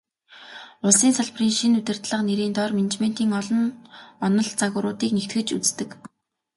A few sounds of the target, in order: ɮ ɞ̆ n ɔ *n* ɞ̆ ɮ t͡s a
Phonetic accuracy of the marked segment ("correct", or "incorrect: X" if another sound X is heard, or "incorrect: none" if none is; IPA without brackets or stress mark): correct